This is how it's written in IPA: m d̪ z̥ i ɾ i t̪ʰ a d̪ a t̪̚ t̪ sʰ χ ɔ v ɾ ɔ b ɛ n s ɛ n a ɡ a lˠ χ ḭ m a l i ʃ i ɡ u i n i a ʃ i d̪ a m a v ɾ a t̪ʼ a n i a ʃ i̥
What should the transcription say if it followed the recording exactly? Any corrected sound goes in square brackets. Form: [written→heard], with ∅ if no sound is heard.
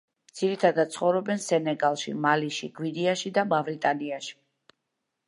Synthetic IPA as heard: m d̪ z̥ i ɾ i t̪ʰ a d̪ a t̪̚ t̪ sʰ χ ɔ v ɾ ɔ b ɛ n s ɛ n [a→ɛ] ɡ a lˠ [χ→ʃ] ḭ m a l i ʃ i ɡ [u→w] i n i a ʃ i d̪ a m a v ɾ [a→i] t̪ʼ a n i a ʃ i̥